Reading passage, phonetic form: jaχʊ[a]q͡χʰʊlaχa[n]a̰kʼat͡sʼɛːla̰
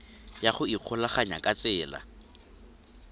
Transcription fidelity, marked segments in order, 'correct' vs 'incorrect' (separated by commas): incorrect, incorrect